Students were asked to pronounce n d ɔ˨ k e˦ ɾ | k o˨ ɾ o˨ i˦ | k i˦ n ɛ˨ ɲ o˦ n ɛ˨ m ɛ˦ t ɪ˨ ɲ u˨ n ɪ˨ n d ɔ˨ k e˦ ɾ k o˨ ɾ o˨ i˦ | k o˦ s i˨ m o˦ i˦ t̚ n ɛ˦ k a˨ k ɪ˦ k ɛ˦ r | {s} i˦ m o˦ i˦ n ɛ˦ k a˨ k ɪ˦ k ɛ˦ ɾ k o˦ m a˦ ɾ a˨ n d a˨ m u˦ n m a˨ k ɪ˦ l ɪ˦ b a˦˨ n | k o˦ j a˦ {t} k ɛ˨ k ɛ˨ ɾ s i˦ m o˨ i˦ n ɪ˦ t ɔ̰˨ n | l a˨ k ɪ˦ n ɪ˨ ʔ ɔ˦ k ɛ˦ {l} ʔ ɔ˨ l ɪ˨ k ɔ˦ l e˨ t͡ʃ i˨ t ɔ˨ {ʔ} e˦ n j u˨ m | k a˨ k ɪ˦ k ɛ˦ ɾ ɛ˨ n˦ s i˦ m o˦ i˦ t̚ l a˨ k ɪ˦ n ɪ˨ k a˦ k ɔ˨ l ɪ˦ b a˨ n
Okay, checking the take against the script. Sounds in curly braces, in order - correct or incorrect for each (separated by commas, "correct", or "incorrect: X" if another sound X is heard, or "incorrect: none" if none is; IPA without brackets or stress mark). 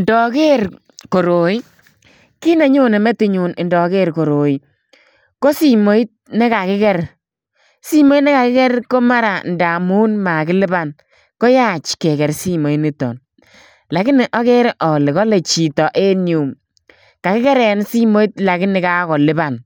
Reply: correct, incorrect: t͡ʃ, incorrect: ɾ, correct